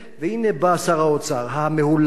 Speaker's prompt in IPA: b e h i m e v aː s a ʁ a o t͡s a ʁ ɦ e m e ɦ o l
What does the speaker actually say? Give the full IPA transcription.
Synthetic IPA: v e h i n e b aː s a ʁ a o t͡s a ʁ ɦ a m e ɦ u l